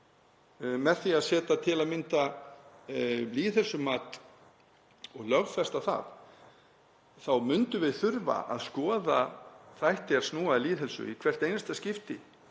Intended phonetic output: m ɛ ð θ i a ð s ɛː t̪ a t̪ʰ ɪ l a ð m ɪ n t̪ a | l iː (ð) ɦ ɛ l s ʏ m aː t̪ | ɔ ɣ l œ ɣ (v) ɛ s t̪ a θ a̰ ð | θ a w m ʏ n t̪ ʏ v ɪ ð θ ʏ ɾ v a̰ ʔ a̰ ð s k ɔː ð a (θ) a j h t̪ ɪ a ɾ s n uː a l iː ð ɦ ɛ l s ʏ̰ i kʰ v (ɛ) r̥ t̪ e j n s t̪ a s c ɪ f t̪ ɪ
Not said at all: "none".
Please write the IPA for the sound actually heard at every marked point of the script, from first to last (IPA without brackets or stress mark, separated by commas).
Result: ð, f, θ, ɛ